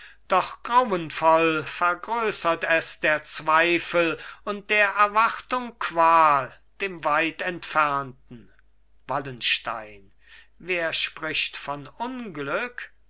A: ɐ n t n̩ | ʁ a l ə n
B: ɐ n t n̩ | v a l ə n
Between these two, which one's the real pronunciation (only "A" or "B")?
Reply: B